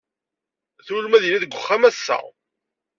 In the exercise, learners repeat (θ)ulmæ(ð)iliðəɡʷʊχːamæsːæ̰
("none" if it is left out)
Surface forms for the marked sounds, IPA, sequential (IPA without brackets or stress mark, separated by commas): θ, ð